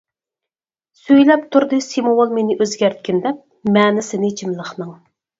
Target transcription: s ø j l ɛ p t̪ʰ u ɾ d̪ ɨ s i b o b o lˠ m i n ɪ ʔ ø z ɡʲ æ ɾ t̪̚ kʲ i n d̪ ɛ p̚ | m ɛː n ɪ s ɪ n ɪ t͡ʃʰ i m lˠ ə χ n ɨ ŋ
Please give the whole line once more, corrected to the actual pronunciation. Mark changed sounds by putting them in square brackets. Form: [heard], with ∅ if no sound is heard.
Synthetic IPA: s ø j l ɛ p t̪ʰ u ɾ d̪ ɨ s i [m] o [w] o lˠ m [e] n ɪ ʔ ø z ɡʲ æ ɾ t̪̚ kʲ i n d̪ ɛ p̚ | m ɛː n ɪ s ɪ n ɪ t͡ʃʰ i m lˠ ə χ n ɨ ŋ